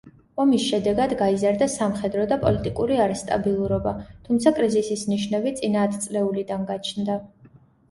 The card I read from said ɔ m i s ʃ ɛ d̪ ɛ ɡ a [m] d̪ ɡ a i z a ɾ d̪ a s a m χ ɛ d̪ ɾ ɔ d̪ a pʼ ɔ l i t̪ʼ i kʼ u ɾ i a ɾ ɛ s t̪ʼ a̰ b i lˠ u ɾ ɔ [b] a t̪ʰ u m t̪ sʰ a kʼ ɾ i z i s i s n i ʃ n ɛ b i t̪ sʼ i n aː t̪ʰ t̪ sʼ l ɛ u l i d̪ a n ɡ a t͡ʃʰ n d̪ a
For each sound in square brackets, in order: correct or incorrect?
incorrect: none, correct

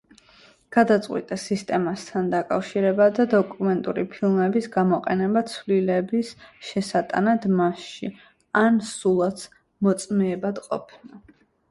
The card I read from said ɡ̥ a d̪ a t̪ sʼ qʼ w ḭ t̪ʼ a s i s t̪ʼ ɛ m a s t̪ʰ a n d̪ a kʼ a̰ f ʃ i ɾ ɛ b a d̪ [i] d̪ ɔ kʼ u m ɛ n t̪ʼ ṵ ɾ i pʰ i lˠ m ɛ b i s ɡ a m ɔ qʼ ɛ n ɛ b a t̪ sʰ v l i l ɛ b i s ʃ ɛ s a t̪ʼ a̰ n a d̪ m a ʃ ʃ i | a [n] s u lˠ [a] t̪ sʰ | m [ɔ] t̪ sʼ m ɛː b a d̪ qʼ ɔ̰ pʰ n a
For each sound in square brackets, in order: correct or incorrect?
incorrect: a, correct, correct, correct

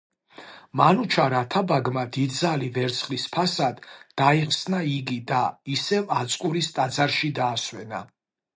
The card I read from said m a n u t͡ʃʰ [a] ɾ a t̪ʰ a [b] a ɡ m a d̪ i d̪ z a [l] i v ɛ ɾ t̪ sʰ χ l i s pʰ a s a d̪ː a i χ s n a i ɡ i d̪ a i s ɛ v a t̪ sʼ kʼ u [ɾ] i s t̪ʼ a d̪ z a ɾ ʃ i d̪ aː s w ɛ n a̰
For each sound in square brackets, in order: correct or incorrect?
correct, correct, correct, correct

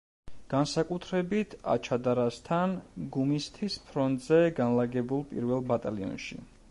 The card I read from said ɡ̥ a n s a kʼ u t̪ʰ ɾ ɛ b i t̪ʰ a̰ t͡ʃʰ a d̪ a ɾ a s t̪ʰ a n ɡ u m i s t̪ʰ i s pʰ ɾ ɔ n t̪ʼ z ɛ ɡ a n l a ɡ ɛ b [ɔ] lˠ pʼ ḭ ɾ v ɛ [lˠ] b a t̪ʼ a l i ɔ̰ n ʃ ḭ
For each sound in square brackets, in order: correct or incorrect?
incorrect: u, correct

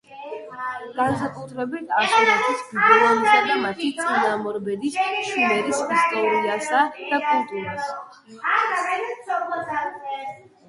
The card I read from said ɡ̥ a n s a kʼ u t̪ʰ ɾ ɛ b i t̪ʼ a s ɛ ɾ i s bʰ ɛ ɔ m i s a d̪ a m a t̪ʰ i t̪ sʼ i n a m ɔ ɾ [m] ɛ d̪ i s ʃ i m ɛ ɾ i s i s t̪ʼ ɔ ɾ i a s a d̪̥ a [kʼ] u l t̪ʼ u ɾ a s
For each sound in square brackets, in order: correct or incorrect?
incorrect: b, correct

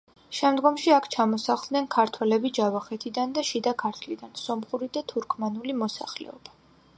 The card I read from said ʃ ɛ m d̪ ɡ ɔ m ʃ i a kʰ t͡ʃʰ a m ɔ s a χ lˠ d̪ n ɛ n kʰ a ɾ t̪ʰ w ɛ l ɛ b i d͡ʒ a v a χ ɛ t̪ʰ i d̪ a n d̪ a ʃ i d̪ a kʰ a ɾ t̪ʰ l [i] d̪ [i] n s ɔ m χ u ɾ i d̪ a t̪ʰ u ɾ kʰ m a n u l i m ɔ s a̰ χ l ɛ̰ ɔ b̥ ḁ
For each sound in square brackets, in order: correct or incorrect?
correct, incorrect: a

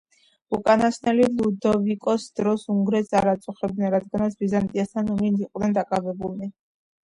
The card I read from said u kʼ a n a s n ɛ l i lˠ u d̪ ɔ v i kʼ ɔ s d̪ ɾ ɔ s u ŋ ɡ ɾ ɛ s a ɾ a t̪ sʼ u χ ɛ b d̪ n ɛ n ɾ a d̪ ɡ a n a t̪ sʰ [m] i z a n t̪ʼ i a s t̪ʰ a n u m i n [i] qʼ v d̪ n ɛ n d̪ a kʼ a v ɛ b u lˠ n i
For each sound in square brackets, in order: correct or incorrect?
incorrect: b, correct

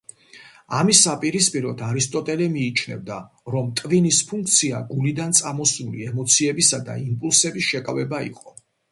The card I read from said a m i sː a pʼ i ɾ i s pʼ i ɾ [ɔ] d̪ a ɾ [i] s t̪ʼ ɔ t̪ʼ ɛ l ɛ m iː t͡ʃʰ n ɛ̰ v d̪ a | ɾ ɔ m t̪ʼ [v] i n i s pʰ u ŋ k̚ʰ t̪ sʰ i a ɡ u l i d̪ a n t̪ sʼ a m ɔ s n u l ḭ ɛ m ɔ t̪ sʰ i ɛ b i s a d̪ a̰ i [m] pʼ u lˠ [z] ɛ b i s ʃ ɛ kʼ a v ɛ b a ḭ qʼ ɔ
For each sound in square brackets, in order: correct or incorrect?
correct, correct, correct, correct, incorrect: s

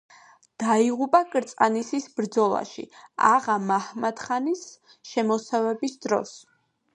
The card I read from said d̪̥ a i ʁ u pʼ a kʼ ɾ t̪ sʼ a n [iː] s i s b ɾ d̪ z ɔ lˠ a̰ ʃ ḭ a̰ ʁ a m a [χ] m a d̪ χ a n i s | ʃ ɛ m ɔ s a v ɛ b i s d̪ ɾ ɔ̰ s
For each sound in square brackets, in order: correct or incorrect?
incorrect: i, incorrect: h

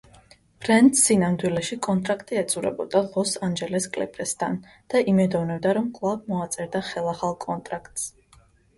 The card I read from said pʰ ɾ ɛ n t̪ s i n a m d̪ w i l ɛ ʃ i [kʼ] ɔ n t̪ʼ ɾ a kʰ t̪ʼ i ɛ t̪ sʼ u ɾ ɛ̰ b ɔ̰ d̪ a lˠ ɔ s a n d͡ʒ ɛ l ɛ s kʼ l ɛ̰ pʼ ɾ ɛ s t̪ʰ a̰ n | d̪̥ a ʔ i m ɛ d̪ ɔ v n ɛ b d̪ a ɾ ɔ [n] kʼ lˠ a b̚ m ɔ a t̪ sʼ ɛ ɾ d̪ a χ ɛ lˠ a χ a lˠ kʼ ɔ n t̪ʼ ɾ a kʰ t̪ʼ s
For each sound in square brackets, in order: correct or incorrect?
correct, incorrect: m

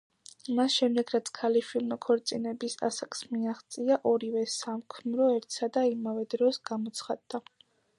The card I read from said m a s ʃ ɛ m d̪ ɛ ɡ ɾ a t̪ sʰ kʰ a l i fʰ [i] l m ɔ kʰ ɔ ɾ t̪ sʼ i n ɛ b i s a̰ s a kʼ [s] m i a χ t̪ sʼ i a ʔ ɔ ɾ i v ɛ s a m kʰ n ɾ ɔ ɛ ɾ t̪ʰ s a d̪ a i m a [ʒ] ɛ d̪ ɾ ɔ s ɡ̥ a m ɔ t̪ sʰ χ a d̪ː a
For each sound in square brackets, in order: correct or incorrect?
correct, correct, incorrect: v

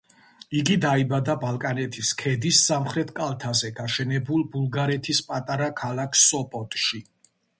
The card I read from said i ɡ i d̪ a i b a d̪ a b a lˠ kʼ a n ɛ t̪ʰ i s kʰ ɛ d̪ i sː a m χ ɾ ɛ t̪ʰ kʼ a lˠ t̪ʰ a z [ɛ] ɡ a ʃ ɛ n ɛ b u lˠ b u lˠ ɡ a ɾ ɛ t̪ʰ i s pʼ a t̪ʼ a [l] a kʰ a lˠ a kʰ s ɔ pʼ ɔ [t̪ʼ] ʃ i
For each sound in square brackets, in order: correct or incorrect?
correct, incorrect: ɾ, correct

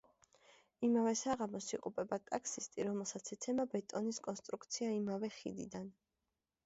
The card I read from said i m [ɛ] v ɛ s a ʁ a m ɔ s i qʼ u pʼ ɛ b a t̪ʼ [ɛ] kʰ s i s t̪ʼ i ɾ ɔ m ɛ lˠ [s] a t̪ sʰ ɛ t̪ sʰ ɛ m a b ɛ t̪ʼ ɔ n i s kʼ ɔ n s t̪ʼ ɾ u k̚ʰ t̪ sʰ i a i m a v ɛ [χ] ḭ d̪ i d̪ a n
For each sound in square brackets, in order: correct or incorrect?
incorrect: a, incorrect: a, correct, correct

